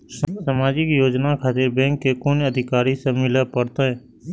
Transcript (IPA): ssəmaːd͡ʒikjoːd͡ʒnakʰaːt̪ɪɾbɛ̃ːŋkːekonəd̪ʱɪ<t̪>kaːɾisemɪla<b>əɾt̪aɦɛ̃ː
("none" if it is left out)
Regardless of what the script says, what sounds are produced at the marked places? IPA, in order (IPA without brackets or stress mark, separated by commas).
none, p